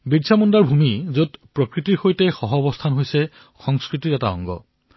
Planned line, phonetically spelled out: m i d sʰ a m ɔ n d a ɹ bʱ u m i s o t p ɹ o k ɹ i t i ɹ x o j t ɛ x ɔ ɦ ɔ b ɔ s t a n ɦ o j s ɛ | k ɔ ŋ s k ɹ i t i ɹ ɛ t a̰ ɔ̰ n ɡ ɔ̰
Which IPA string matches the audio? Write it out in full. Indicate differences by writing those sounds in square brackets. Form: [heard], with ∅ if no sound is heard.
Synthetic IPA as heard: [b] i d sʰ a m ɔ n d a ɹ bʱ u m i [z] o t p ɹ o k ɹ i t i ɹ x o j t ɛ x ɔ ɦ ɔ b ɔ s [tʰ] a n ɦ o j s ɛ | [x] ɔ ŋ s k ɹ i t i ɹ ɛ t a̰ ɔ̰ [ŋ] ɡ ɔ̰